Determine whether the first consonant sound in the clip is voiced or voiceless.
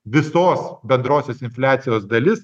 voiced